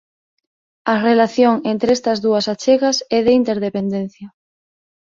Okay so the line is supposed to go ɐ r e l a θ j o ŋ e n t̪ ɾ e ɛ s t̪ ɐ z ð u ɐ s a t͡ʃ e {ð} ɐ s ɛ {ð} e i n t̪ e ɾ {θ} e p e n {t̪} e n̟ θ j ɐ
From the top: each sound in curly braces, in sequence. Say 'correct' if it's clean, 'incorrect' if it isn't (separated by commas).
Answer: incorrect, correct, incorrect, incorrect